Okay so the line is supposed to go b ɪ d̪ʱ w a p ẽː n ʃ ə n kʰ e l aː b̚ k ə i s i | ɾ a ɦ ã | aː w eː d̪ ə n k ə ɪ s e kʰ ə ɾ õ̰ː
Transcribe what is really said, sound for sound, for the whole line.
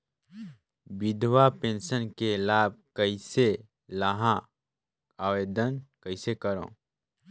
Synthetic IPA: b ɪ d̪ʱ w a p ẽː n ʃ ə n k e l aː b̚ k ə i s e | l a ɦ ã | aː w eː d̪ ə n k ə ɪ s e k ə ɾ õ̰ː